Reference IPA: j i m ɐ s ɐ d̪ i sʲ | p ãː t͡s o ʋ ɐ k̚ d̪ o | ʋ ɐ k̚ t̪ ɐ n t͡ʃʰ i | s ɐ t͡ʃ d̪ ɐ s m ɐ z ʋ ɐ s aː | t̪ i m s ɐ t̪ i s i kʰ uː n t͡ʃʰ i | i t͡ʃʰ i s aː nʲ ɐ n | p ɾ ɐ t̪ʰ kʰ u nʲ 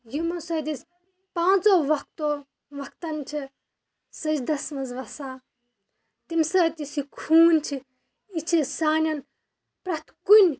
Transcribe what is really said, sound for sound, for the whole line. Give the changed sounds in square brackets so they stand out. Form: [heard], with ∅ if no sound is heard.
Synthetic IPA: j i m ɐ s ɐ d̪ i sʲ | p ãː t͡s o ʋ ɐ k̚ [t̪] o | ʋ ɐ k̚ t̪ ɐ n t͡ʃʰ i | s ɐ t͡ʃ d̪ ɐ s m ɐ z ʋ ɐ s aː | t̪ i m s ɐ t̪ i s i kʰ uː n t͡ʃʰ i | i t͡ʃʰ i s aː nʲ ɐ n | p ɾ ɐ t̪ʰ [k] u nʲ